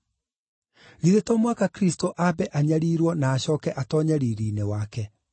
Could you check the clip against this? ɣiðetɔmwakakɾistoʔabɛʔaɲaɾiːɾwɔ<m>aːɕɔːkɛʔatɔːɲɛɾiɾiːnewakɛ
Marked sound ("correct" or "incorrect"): incorrect